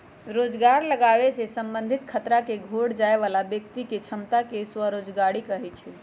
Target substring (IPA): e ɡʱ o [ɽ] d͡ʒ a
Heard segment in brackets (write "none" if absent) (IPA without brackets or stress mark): ɽ